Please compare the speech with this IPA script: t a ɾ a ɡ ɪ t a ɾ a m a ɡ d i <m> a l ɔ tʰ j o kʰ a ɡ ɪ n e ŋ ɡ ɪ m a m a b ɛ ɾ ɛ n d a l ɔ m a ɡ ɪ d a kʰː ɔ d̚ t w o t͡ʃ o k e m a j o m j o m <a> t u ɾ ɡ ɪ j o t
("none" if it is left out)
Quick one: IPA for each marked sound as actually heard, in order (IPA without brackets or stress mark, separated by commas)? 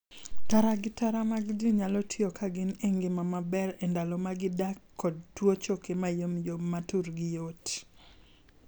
ɲ, a